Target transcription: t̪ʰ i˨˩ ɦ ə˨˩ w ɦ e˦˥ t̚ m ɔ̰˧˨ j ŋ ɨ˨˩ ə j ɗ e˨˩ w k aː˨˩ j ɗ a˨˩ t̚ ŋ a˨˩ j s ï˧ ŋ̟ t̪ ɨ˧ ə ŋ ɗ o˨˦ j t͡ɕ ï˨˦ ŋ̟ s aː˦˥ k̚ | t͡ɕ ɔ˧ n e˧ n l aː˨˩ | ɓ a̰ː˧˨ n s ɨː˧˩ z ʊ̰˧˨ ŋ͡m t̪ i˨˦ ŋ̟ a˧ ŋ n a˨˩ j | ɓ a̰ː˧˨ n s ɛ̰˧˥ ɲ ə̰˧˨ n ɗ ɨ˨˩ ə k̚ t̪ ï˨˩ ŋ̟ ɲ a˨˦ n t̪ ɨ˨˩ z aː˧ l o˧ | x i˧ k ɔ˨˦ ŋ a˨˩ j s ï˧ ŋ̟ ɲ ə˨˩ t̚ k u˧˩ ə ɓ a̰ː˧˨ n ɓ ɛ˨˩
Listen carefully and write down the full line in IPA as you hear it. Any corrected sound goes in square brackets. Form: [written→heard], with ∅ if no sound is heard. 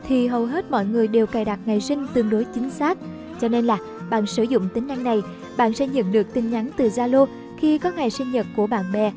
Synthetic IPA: t̪ʰ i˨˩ ɦ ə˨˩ w ɦ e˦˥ t̚ m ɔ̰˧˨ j ŋ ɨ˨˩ ə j ɗ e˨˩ w k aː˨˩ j ɗ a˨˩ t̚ ŋ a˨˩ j s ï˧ ŋ̟ t̪ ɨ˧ ə ŋ ɗ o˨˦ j t͡ɕ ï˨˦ ŋ̟ s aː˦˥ k̚ | t͡ɕ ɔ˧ n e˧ n l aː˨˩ | ɓ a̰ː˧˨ n s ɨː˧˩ z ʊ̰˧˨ ŋ͡m t̪ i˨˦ ŋ̟ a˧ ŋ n a˨˩ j | ɓ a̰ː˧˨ n s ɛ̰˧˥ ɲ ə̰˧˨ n ɗ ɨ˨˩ ə k̚ t̪ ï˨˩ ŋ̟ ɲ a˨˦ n t̪ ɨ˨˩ z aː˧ l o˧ | x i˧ k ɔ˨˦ ŋ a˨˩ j s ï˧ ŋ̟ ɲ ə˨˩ t̚ k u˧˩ ə ɓ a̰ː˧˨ n ɓ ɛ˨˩